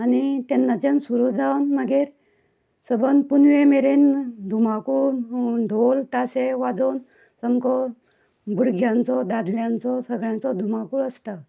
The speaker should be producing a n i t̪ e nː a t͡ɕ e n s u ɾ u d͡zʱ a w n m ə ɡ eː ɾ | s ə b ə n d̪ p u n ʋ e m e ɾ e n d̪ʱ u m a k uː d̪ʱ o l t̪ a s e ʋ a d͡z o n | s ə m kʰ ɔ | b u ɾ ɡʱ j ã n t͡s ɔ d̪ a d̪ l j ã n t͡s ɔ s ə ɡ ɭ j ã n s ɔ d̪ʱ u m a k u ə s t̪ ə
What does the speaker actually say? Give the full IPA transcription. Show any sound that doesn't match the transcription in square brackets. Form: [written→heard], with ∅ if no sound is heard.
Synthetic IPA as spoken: a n i t̪ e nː a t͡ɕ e n s u ɾ u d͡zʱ a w n m ə ɡ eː ɾ | s ə b ə n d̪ p u n ʋ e m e ɾ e n d̪ʱ u m a k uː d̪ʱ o l t̪ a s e ʋ a d͡z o n | s ə m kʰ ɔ | b u ɾ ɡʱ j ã n t͡s ɔ d̪ a d̪ l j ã n t͡s ɔ s ə ɡ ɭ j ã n [s→t͡s] ɔ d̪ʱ u m a k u ə s t̪ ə